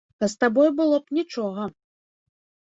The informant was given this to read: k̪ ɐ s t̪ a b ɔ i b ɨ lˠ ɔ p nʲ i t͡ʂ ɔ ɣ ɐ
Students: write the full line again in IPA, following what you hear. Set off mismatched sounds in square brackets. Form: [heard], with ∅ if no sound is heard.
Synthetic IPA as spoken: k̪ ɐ s t̪ a b ɔ [j] b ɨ lˠ ɔ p nʲ i t͡ʂ ɔ ɣ ɐ